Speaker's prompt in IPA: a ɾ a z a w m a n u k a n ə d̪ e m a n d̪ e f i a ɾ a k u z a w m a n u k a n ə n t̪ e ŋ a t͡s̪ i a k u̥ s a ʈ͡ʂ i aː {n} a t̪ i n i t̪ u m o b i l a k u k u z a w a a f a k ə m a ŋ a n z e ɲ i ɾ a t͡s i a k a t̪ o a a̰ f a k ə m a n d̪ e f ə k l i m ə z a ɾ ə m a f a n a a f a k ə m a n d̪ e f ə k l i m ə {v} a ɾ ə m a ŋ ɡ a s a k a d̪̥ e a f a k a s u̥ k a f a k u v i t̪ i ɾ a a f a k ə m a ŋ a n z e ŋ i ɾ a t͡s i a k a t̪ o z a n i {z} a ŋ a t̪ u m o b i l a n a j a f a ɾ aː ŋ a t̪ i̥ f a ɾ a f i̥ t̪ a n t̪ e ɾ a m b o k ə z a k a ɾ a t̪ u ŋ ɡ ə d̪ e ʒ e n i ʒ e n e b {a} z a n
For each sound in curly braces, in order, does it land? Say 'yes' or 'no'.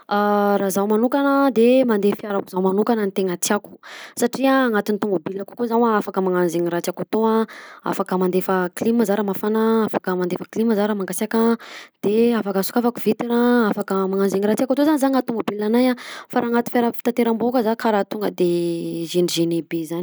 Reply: no, no, yes, no

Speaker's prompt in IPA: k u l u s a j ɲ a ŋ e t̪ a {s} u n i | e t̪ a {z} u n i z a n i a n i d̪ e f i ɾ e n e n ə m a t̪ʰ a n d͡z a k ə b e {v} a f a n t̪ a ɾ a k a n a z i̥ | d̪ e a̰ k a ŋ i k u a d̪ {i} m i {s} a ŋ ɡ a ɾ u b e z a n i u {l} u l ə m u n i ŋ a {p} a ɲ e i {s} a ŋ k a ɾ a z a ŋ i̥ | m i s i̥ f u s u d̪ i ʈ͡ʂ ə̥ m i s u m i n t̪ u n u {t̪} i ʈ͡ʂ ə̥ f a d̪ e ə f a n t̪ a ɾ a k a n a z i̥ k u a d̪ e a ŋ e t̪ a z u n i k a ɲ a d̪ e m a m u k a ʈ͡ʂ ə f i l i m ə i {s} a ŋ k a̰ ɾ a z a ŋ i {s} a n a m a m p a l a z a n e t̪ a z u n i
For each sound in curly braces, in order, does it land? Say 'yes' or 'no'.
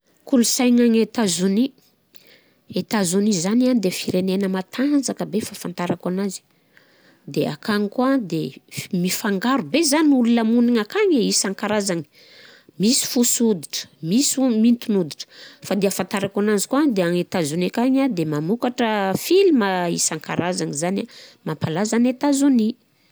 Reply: no, yes, no, no, no, yes, no, yes, no, yes, no

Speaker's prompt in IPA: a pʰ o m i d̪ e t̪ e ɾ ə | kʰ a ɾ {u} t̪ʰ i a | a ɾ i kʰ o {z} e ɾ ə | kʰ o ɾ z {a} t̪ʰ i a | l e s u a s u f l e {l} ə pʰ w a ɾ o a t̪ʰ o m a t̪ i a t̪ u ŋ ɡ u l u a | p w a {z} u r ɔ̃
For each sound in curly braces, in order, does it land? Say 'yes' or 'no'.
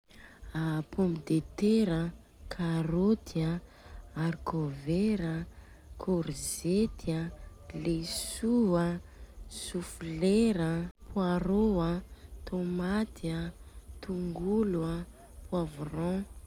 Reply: no, no, no, no, no

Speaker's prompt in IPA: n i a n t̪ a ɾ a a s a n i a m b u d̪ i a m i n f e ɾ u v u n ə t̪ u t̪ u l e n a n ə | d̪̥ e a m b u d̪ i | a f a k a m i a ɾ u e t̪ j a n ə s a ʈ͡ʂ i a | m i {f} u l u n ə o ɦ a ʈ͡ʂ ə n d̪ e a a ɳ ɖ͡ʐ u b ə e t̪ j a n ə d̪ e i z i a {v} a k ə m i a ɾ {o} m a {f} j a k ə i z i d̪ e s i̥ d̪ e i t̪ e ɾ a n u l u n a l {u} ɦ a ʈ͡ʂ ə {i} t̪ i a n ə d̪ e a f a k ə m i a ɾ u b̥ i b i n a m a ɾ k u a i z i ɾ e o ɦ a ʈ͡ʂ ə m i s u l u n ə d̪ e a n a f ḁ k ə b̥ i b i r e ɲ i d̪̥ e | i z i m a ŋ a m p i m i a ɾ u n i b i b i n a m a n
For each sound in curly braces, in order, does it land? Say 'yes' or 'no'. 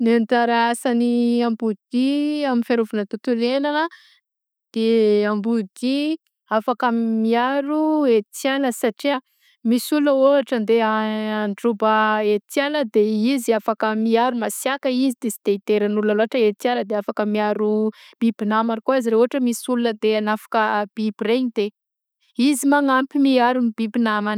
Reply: no, no, no, no, no, no

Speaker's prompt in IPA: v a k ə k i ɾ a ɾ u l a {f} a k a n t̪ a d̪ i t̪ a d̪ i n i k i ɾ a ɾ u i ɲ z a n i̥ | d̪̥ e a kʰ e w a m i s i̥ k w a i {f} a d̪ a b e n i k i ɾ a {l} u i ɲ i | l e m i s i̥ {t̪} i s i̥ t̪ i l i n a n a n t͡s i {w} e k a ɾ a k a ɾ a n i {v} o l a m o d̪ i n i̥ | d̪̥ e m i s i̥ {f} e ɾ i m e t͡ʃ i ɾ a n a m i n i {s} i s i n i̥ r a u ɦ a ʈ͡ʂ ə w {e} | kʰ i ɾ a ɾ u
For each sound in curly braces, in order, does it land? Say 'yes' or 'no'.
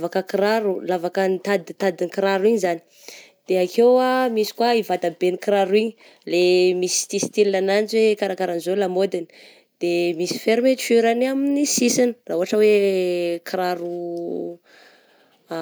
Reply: no, no, no, yes, yes, no, yes, yes, yes

